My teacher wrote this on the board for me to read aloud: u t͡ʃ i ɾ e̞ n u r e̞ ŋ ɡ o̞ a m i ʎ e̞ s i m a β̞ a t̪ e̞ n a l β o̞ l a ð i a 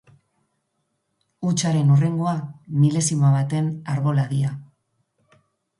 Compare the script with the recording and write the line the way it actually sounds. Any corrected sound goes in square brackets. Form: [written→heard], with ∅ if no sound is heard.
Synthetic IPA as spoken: u t͡ʃ [i→a] ɾ e̞ n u r e̞ ŋ ɡ o̞ a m i [ʎ→l] e̞ s i m a β̞ a t̪ e̞ n a [l→ɾ] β o̞ l a ð i a